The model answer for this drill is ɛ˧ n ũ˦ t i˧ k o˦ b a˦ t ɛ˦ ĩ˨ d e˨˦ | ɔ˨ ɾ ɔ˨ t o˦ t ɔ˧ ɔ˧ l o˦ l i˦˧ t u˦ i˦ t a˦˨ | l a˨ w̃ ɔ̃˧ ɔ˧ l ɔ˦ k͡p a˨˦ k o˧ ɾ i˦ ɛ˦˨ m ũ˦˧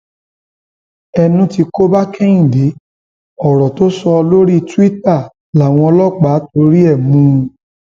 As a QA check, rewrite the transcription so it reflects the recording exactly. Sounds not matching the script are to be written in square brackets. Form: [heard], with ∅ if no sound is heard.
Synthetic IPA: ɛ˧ n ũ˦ t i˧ k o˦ b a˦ [k] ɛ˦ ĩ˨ d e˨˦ | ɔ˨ ɾ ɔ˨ t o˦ [s] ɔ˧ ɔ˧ l o˦ [ɾ] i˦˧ t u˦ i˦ t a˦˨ | l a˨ w̃ ɔ̃˧ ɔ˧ l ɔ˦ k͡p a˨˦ [t] o˧ ɾ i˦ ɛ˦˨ m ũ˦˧